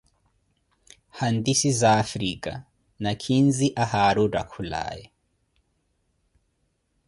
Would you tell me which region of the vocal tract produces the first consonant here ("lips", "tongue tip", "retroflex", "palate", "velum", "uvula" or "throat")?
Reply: throat